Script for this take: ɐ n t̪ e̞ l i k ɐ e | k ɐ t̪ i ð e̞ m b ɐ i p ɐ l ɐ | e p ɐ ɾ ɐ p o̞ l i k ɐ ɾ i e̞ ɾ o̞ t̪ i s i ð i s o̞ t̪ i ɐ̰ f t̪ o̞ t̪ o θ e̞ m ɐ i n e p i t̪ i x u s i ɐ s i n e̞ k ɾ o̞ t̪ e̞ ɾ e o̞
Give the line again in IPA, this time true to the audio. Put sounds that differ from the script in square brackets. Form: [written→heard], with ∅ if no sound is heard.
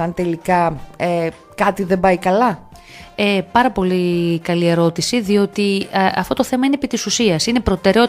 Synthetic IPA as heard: ɐ n t̪ e̞ l i k ɐ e | k ɐ t̪ i ð e̞ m b ɐ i [p→k] ɐ l ɐ | e p ɐ ɾ ɐ p o̞ l i k ɐ [ɾ→l] i e̞ ɾ o̞ t̪ i s i ð i [s→∅] o̞ t̪ i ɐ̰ f t̪ o̞ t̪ o θ e̞ m ɐ i n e p i t̪ i [x→s] u s i ɐ s i n e̞ [k→p] ɾ o̞ t̪ e̞ ɾ e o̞